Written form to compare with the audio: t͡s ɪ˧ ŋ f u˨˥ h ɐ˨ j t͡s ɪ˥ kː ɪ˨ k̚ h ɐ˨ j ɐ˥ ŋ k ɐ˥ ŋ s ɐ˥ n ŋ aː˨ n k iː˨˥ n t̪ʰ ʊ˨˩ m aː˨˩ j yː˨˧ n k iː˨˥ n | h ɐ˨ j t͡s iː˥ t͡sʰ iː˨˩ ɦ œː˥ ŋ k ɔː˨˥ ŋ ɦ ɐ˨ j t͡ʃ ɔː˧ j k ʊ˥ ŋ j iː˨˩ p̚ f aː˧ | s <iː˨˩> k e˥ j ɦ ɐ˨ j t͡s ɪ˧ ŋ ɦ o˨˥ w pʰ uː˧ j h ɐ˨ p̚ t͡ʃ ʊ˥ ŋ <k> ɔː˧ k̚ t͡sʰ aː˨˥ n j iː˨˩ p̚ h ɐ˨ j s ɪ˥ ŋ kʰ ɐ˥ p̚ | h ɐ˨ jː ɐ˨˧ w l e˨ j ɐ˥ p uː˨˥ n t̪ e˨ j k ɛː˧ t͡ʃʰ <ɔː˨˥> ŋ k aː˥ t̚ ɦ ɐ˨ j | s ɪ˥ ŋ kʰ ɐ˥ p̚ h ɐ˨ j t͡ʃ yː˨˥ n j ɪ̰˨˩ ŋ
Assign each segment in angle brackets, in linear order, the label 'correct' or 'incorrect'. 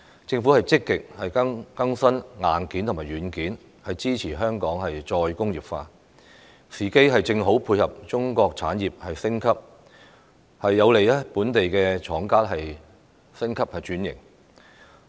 correct, correct, correct

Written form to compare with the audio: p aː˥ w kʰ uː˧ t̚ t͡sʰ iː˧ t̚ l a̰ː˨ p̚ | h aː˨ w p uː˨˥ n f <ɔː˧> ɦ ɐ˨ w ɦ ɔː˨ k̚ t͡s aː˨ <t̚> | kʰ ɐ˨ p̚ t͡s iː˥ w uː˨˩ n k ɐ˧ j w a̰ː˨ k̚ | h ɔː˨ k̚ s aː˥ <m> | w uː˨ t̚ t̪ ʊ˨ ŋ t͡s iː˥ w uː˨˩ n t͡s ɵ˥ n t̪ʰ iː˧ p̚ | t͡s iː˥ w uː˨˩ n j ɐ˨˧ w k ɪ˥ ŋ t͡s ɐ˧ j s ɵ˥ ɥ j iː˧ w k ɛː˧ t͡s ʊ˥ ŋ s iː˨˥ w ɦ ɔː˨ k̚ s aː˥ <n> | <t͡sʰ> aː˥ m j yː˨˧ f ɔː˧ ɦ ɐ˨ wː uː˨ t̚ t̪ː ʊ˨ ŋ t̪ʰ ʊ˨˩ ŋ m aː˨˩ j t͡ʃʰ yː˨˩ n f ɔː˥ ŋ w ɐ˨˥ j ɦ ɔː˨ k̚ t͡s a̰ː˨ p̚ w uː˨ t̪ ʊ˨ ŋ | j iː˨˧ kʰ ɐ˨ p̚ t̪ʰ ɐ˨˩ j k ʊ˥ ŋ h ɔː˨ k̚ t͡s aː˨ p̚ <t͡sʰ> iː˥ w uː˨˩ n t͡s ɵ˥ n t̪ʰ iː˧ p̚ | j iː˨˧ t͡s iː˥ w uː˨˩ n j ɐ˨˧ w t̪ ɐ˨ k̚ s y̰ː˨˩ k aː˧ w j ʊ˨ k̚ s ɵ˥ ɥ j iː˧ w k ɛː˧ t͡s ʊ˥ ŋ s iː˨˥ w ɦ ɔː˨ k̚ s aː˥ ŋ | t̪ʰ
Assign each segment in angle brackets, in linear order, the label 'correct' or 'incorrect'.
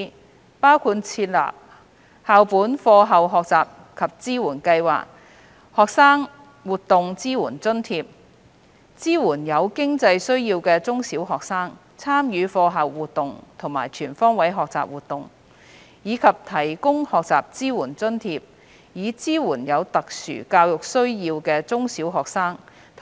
correct, incorrect, incorrect, incorrect, correct, incorrect

